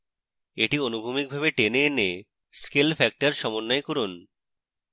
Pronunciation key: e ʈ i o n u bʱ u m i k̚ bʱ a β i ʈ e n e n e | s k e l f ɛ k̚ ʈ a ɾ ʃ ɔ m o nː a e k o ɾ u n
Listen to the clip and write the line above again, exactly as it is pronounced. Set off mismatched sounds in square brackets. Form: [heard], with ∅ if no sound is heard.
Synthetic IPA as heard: e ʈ i o n u bʱ u m i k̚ bʱ a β [e] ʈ e n e n e | s k e l f ɛ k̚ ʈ a ɾ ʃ ɔ m o nː a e k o ɾ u n